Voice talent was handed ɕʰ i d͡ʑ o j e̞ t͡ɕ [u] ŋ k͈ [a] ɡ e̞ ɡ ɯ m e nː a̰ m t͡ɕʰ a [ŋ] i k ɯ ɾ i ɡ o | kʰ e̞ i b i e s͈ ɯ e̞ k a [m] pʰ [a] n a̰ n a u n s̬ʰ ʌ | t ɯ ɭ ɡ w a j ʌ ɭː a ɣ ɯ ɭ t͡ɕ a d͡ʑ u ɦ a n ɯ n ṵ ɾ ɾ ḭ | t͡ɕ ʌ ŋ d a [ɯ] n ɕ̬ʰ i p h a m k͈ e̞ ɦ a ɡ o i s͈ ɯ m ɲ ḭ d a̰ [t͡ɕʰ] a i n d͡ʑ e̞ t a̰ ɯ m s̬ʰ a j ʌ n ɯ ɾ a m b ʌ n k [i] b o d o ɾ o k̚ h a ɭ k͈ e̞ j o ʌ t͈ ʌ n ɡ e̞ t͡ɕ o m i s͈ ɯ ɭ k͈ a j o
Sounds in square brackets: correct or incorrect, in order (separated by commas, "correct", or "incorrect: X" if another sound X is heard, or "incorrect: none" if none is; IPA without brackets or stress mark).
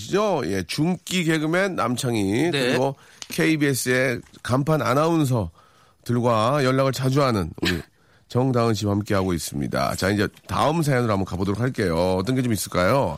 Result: correct, incorrect: i, correct, correct, correct, correct, incorrect: t͡ɕ, incorrect: a